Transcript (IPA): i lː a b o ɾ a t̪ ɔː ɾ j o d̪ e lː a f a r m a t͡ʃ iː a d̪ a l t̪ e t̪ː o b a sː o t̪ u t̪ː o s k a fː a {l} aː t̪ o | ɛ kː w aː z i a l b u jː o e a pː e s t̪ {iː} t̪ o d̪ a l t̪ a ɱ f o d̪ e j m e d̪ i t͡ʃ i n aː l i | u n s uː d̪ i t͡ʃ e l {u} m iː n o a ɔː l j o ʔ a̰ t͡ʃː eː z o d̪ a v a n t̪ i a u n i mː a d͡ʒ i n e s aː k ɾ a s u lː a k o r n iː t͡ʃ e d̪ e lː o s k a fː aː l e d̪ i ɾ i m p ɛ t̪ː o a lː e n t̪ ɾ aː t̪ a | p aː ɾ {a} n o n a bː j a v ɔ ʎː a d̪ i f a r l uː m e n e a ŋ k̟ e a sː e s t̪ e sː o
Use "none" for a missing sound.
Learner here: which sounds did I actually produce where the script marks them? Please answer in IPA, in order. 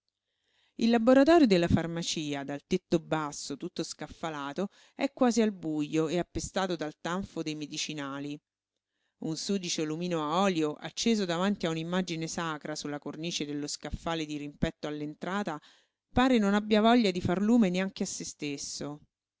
l, aː, u, e

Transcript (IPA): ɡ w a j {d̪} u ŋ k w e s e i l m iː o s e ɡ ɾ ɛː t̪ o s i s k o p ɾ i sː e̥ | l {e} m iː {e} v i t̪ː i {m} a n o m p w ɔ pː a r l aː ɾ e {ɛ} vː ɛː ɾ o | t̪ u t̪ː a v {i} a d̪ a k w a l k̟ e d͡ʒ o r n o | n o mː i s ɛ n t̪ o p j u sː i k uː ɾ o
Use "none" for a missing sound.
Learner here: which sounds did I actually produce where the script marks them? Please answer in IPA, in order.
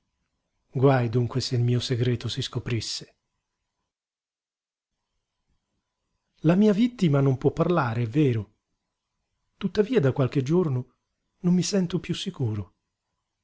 d̪, a, a, m, ɛ, iː

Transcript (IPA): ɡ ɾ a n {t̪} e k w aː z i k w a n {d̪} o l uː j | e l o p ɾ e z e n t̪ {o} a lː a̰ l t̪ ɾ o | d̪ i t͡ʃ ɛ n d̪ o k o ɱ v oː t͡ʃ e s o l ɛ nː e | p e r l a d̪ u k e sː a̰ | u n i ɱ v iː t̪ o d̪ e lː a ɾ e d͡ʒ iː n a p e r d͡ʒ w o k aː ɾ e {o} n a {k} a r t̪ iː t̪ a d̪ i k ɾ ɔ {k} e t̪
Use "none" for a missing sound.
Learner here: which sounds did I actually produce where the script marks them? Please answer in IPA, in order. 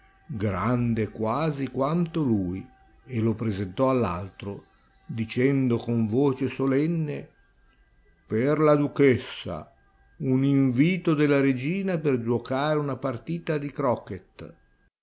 d̪, t̪, ɔ, u, p, k

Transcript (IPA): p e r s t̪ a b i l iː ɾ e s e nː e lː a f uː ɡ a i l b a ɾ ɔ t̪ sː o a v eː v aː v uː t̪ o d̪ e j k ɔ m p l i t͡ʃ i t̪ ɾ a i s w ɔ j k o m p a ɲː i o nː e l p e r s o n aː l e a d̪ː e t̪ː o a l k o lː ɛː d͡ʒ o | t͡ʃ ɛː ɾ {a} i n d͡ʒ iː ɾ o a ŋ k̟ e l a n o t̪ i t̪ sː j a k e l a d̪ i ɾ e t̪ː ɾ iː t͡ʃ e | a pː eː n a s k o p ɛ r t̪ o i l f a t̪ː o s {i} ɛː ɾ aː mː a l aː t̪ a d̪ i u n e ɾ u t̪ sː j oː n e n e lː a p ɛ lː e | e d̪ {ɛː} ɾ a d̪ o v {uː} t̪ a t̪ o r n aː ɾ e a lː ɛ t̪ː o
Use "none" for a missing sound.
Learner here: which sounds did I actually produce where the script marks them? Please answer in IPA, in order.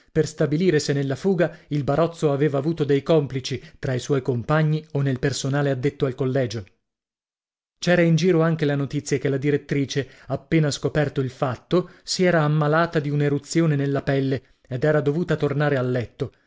a, i, ɛː, uː

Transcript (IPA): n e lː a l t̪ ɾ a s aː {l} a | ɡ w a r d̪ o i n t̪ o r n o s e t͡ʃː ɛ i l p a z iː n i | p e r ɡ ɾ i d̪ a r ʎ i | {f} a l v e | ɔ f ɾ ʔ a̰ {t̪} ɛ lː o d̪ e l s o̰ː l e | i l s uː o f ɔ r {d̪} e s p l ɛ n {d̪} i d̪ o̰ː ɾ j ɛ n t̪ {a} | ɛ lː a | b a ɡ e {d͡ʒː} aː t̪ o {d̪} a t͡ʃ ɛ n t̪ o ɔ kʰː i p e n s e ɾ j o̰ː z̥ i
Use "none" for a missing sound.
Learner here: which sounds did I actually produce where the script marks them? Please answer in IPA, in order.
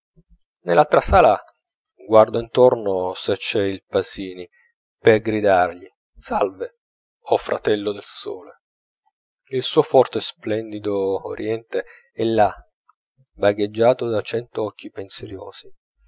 l, s, t̪, t̪, d̪, e, d͡ʒː, d̪

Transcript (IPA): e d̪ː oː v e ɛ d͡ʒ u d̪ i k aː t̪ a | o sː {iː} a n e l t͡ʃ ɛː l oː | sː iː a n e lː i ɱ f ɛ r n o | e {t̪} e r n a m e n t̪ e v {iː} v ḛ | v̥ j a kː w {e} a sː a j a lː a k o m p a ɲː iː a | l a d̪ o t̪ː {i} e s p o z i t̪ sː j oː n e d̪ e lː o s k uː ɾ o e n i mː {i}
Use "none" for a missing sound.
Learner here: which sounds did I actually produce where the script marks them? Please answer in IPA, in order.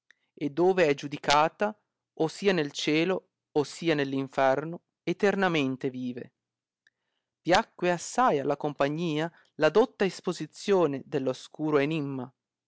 iː, t̪, iː, e, a, a

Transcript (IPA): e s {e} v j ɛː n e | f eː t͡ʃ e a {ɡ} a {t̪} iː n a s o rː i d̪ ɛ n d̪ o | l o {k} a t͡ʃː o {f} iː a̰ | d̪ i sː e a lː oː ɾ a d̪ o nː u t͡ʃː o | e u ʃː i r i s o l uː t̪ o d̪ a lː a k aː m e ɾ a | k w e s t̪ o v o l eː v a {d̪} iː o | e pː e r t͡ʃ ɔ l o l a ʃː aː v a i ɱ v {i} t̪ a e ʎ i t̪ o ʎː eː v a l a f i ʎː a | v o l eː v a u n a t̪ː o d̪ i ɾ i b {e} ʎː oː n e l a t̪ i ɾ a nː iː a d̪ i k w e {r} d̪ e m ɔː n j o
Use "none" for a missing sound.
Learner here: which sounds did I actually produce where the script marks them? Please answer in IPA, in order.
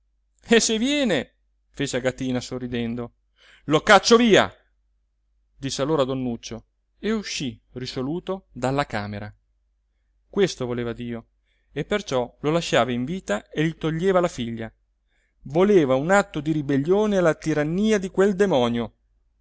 e, ɡ, t̪, k, v, d̪, iː, e, l

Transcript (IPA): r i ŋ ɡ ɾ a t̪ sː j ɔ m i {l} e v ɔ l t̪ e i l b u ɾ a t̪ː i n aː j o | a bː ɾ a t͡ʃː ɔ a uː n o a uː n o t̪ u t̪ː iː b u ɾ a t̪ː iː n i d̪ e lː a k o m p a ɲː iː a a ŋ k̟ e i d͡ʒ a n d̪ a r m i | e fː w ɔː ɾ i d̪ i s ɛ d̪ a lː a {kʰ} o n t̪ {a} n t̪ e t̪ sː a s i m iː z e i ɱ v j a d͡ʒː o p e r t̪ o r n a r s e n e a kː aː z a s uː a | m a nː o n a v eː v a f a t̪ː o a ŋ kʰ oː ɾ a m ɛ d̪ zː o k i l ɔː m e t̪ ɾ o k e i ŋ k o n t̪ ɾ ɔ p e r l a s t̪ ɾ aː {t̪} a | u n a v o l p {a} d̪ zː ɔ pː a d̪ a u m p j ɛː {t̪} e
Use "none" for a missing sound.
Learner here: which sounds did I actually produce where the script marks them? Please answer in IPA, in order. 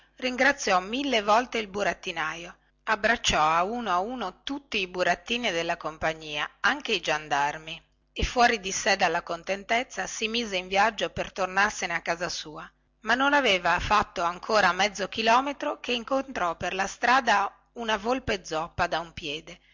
lː, k, e, d̪, e, d̪

